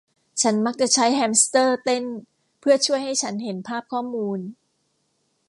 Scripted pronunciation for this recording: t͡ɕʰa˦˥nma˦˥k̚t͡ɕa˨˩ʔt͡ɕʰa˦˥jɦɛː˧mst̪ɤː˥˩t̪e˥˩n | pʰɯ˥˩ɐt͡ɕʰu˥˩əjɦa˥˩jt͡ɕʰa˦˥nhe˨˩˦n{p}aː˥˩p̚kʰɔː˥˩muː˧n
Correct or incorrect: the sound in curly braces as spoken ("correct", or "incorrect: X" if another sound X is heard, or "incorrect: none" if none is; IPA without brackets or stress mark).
incorrect: pʰ